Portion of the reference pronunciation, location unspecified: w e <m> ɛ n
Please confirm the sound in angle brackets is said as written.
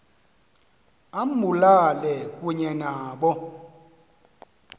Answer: no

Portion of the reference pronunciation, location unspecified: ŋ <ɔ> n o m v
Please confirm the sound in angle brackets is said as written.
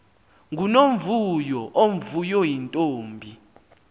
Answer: no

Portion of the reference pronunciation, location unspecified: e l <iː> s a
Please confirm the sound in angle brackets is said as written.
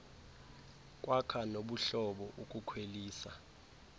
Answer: yes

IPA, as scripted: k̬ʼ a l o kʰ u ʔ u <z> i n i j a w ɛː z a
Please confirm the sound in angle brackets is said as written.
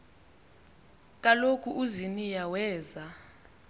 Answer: yes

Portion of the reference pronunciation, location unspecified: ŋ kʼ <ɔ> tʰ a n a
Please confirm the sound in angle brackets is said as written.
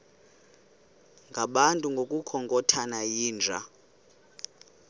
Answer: yes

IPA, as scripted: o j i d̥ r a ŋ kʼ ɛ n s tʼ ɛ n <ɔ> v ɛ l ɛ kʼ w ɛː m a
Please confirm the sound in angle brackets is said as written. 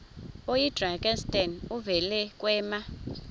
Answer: no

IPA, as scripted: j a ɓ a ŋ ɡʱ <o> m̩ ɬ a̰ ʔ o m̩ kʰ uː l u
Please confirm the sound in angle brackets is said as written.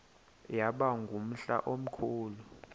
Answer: no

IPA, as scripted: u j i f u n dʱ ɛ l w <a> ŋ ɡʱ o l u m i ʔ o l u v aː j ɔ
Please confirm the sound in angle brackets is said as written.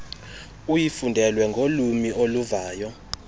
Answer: no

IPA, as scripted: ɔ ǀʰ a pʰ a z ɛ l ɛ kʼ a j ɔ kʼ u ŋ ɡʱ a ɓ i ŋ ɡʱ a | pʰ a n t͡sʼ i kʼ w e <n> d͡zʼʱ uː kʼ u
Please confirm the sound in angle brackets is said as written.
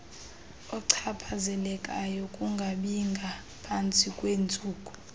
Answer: yes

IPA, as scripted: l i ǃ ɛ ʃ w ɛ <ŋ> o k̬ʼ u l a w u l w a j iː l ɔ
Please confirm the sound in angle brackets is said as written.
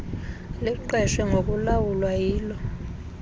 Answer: yes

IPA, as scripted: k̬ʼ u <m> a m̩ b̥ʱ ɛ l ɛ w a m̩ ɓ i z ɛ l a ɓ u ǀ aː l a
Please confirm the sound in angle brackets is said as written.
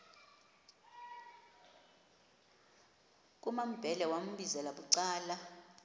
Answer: yes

